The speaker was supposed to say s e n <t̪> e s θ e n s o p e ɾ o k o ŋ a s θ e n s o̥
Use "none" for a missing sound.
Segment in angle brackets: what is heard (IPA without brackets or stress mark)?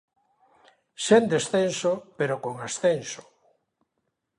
d̪